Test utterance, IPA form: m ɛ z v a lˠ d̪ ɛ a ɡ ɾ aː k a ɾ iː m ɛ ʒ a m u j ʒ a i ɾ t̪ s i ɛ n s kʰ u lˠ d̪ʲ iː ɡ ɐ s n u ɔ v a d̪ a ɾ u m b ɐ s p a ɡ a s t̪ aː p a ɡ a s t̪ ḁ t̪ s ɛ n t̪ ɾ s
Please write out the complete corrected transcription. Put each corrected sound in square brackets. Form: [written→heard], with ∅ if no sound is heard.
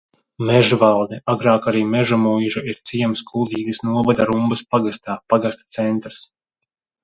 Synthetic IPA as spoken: m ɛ [z→ʒ] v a lˠ d̪ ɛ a ɡ ɾ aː k a ɾ iː m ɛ ʒ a m u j ʒ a i ɾ t̪ s i ɛ [n→m] s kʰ u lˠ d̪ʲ iː ɡ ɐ s n u ɔ v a d̪ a ɾ u m b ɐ s p a ɡ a s t̪ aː p a ɡ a s t̪ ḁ t̪ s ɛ n t̪ ɾ s